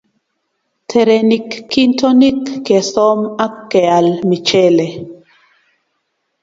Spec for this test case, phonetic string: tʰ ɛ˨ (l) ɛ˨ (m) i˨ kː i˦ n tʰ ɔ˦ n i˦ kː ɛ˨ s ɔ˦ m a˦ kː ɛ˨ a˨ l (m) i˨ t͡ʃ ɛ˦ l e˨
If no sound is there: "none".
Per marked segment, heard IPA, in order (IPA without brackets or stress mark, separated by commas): ɾ, n, m